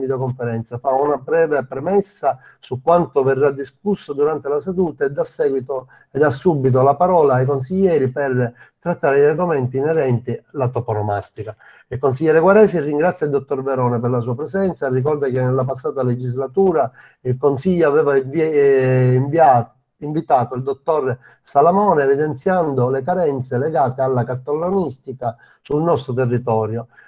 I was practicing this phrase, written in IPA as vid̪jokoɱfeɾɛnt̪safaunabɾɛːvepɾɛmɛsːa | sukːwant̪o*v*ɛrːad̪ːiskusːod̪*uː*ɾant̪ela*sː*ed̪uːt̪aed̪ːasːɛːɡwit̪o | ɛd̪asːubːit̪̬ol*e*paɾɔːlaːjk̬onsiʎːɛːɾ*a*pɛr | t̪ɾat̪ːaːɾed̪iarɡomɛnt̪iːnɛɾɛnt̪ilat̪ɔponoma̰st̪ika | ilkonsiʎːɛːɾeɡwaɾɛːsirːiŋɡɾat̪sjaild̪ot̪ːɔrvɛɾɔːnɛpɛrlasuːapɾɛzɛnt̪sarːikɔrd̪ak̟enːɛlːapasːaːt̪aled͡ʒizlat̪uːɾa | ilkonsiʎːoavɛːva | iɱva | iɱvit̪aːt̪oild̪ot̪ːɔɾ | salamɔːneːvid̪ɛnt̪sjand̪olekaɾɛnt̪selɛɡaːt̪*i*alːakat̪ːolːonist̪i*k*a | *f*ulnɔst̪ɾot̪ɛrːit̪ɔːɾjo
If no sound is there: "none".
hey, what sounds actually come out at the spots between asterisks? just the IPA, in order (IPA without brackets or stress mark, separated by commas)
v, u, s, a, i, e, k, s